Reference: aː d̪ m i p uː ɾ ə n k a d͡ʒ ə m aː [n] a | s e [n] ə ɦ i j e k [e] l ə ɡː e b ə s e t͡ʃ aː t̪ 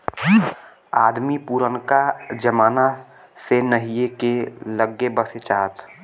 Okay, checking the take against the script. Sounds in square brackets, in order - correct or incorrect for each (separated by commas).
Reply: correct, correct, correct